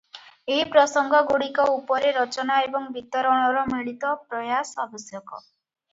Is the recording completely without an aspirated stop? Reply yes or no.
yes